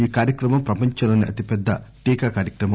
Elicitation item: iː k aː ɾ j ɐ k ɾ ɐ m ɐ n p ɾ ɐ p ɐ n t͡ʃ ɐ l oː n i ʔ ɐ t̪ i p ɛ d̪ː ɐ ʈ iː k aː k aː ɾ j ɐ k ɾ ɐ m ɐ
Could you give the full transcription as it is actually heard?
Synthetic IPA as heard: iː k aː ɾ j ɐ k ɾ ɐ m ɐ m p ɾ ɐ p ɐ ɲ t͡ʃ ɐ l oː n i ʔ ɐ t̪ i p ɛ d̪ː ɐ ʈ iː k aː k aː ɾ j ɐ k ɾ ɐ m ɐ